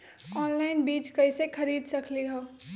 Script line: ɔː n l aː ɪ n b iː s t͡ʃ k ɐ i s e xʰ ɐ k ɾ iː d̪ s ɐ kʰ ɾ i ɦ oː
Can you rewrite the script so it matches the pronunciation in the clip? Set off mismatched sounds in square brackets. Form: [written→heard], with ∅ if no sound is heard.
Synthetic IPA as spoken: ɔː n l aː ɪ n b iː [s→∅] t͡ʃ k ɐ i s e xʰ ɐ [k→∅] ɾ iː d̪ s ɐ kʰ [ɾ→l] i ɦ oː